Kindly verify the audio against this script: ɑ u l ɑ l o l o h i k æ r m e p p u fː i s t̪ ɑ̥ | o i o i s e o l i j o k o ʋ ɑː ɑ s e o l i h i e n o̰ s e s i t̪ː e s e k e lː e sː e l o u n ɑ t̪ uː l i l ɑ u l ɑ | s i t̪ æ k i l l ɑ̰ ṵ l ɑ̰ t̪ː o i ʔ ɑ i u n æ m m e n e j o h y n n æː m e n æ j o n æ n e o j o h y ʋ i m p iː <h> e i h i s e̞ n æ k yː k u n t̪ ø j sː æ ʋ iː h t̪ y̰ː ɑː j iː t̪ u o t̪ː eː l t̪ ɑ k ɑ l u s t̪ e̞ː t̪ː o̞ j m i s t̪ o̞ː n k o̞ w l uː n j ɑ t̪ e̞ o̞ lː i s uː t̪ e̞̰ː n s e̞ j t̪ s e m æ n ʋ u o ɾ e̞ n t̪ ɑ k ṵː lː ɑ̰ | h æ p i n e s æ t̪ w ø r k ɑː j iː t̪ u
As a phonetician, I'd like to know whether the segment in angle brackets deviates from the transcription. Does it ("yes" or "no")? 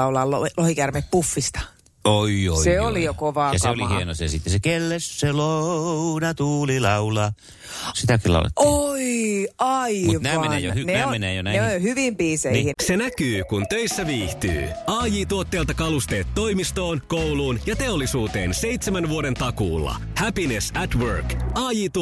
yes